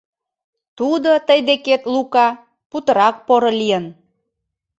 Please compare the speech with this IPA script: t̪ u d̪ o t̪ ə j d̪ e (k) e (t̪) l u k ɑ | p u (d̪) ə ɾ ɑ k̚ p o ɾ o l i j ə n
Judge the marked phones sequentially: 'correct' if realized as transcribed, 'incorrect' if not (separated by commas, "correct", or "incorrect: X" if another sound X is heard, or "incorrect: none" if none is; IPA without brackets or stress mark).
correct, correct, incorrect: t̪